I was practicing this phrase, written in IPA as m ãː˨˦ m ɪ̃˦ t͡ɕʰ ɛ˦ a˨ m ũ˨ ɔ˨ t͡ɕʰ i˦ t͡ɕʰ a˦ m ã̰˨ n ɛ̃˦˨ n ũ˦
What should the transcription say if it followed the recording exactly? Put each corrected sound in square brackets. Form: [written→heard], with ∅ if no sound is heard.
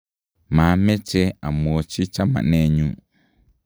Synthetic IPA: m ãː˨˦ m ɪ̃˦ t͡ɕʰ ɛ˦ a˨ m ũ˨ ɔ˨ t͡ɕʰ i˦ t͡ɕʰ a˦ m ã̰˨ n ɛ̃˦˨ [n→ɲ] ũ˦